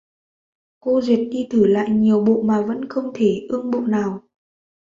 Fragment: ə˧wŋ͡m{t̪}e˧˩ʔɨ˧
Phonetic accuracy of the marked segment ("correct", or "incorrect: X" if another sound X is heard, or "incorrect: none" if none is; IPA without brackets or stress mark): incorrect: t̪ʰ